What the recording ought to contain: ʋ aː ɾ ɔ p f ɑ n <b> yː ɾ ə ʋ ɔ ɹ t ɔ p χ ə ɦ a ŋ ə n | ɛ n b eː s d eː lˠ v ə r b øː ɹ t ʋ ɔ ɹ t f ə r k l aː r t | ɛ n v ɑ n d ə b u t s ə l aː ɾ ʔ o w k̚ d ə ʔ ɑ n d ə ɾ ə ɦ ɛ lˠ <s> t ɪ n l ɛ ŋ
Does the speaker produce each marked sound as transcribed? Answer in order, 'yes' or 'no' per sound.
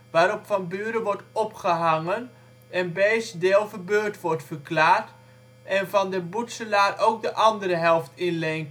yes, no

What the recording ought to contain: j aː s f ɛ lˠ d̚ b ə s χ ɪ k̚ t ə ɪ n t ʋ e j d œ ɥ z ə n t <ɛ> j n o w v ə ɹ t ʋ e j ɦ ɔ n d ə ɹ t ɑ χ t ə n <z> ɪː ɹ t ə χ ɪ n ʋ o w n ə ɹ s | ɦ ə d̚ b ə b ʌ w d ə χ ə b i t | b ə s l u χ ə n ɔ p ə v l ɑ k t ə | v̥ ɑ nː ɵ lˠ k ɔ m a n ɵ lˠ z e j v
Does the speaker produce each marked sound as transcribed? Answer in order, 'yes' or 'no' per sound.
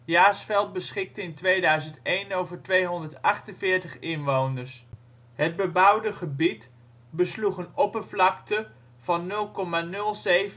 no, no

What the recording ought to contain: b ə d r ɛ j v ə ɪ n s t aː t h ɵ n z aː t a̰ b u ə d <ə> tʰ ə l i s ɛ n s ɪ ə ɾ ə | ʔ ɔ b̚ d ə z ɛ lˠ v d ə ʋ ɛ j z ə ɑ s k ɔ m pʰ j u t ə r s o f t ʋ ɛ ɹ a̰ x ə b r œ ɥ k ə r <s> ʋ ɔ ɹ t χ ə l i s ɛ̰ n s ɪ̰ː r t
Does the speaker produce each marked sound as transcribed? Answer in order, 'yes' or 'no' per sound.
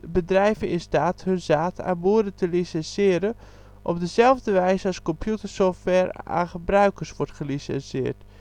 yes, yes

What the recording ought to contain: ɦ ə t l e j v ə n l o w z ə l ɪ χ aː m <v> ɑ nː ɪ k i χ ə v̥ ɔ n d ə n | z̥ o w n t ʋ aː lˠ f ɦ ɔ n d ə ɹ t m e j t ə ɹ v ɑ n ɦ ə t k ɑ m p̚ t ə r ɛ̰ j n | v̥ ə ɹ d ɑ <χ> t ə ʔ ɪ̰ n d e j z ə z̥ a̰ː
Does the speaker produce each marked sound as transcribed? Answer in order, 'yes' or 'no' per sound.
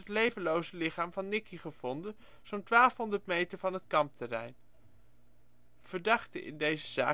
yes, yes

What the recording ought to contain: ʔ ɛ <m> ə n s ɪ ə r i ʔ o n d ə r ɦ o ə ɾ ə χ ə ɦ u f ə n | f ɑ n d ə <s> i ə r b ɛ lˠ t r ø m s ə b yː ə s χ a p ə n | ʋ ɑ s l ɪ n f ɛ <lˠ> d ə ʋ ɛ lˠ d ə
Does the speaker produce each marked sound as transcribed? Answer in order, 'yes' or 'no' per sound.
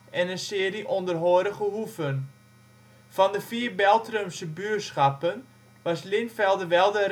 no, no, yes

